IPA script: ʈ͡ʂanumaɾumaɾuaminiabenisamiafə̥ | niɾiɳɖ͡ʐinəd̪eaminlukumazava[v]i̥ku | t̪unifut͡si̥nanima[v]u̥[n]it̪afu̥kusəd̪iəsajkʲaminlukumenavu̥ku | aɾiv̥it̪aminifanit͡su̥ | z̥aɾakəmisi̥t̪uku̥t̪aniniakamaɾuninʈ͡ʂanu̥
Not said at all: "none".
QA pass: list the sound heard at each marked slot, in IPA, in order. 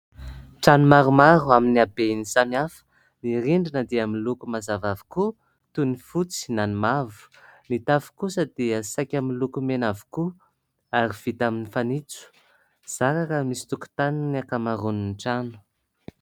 v, v, n

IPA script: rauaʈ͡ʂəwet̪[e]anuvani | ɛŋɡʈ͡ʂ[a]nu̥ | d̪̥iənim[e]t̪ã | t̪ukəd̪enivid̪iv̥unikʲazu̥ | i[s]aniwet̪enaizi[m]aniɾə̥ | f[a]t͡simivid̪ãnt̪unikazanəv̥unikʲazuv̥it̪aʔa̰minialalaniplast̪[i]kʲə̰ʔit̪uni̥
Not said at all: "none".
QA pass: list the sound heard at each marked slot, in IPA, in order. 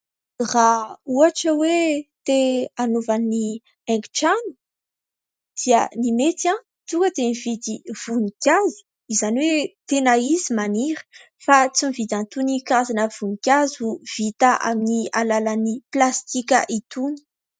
e, a, e, z, m, a, i

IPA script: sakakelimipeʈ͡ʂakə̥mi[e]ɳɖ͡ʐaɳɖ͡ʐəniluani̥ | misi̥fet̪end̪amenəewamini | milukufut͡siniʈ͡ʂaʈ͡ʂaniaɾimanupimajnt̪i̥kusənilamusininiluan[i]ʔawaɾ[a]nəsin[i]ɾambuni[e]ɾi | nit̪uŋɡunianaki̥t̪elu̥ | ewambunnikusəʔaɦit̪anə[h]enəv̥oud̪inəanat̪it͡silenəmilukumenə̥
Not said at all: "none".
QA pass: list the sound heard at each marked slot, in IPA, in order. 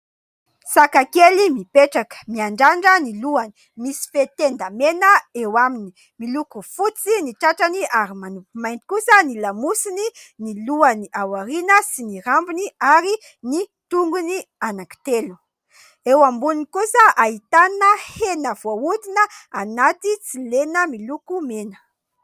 a, i, i, i, a, h

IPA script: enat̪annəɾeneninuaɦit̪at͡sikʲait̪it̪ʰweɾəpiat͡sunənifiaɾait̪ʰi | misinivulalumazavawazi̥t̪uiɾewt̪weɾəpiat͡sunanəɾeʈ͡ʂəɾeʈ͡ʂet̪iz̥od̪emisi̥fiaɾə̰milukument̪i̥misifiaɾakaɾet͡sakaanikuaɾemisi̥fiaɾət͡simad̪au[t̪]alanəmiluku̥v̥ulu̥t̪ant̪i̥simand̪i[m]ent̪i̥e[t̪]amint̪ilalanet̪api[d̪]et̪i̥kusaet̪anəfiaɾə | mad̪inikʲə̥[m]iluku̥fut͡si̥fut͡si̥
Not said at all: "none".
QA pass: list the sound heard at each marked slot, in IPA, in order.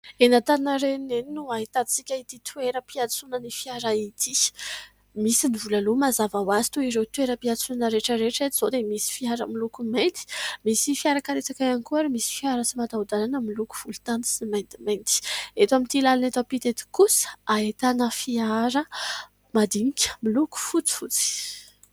d̪, m, t̪, t̪, m

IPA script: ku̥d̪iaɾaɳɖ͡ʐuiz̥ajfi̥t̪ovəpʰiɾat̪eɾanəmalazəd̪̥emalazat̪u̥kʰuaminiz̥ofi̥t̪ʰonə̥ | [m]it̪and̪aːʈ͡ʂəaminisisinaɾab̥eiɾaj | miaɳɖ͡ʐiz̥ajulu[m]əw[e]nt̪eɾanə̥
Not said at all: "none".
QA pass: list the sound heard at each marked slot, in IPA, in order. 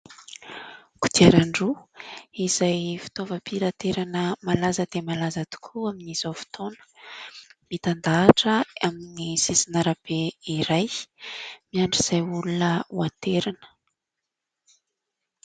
m, n, a

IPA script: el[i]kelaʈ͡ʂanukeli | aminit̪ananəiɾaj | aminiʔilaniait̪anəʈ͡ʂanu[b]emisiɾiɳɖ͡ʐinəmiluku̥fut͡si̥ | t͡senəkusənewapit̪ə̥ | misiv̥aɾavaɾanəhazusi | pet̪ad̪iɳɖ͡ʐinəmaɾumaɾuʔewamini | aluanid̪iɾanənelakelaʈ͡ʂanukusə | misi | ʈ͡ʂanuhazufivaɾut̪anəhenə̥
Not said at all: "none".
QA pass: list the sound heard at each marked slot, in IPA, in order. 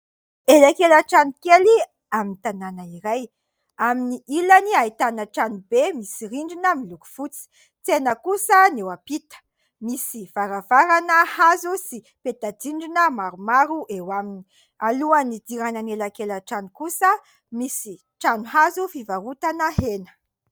a, b

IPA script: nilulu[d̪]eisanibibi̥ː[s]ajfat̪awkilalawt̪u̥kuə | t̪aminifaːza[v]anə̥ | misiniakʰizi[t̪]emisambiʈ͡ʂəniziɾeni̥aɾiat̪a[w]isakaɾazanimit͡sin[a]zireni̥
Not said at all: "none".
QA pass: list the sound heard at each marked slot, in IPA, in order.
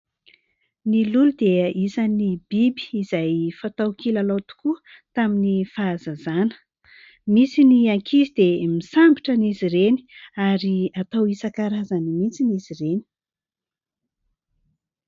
d̪, z, z, d̪, w, i

